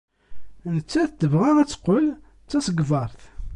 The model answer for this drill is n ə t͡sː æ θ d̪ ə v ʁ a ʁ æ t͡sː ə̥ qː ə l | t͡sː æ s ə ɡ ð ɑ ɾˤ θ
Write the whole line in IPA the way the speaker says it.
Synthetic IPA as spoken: n ə t͡sː æ θ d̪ ə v ʁ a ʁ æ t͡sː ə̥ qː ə l | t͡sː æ s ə ɡ v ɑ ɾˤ θ